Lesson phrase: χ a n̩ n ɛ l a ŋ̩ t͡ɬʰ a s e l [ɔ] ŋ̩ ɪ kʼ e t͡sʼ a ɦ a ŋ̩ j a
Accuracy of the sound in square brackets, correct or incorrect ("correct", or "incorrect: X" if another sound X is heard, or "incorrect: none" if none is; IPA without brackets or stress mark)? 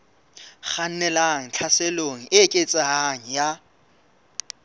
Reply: incorrect: o